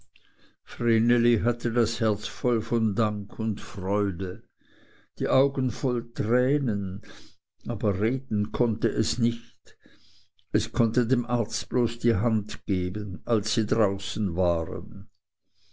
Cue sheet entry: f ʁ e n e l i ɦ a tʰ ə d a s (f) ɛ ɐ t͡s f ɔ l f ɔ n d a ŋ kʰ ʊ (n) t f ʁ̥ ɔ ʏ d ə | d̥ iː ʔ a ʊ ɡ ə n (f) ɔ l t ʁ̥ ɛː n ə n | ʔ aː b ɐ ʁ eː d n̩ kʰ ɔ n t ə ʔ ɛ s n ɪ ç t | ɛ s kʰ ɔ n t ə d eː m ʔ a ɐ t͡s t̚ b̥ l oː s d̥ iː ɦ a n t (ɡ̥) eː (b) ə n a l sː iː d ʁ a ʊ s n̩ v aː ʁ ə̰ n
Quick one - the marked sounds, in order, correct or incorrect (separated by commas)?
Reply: incorrect, correct, correct, correct, correct